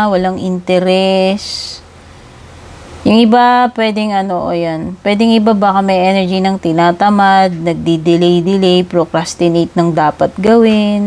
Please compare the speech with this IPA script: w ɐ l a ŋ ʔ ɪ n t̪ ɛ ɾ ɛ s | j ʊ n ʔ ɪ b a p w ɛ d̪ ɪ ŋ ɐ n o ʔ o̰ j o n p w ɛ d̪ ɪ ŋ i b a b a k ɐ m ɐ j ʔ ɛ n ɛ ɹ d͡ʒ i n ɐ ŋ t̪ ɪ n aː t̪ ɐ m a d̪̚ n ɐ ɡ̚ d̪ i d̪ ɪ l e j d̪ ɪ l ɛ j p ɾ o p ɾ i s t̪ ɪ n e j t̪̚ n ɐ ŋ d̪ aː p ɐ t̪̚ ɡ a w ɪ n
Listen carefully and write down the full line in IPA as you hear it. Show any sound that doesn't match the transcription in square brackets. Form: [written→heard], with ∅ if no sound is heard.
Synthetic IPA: w ɐ l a ŋ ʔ ɪ n t̪ ɛ ɾ ɛ s | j ʊ [n→ŋ] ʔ ɪ b a p w ɛ d̪ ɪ ŋ ɐ n o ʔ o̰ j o n p w ɛ d̪ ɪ ŋ [i→ɪ] b a b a k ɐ m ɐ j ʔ ɛ n ɛ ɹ d͡ʒ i n ɐ ŋ t̪ ɪ n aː t̪ ɐ m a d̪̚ n ɐ ɡ̚ d̪ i d̪ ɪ l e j d̪ ɪ l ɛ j p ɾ o [p→k] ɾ [i→a] s t̪ ɪ n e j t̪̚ n ɐ ŋ d̪ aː p ɐ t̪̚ ɡ [a→ɐ] w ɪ n